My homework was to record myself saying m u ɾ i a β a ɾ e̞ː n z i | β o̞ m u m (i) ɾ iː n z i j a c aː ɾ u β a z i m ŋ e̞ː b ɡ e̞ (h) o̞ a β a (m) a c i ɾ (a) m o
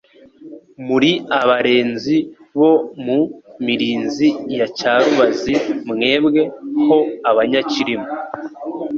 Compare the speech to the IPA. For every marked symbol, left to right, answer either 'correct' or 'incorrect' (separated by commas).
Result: correct, correct, incorrect, incorrect